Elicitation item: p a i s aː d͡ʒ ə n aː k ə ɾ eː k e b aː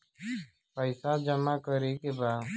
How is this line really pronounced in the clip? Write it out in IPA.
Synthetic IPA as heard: p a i s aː d͡ʒ ə m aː k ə ɾ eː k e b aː